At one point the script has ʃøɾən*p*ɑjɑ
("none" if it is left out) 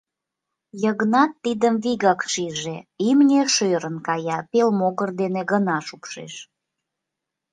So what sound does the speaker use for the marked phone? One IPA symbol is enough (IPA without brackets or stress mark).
k